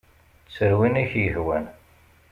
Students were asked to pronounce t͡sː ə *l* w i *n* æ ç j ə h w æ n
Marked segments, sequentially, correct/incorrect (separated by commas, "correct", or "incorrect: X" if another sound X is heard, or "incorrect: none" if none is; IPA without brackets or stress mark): incorrect: ɾ, correct